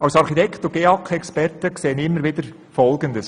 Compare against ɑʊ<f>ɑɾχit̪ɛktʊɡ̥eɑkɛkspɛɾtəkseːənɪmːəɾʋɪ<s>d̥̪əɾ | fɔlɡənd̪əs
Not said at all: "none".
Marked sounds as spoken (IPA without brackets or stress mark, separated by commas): s, none